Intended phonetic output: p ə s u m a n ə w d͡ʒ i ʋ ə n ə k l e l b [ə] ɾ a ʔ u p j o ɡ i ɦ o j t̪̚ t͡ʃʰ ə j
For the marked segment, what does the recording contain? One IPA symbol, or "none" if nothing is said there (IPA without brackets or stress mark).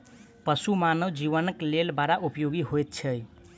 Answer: a